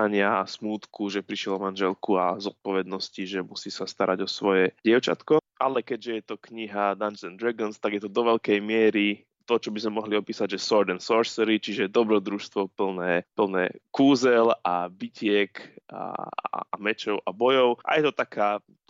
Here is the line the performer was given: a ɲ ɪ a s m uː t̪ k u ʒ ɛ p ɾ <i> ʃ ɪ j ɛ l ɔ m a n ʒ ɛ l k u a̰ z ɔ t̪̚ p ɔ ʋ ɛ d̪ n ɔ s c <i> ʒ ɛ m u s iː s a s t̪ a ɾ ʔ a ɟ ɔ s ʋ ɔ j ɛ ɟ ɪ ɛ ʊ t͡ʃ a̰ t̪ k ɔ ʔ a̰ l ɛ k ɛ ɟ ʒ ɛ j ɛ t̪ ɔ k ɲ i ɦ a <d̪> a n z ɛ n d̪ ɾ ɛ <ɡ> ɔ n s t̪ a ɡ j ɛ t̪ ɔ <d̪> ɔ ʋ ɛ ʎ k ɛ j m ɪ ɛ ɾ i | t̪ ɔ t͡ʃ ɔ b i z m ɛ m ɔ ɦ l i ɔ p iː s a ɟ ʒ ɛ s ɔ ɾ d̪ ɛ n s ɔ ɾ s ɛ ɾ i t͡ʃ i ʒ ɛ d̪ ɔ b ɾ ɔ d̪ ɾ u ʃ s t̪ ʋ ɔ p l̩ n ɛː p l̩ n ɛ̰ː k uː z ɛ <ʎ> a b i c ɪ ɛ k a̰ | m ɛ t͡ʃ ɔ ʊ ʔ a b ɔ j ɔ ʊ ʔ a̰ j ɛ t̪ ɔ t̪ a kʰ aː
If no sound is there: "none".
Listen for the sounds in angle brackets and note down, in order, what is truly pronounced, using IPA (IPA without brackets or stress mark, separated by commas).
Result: i, i, d̪, ɡ, d̪, l